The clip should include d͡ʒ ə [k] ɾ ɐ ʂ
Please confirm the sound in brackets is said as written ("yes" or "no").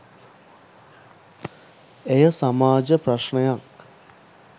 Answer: no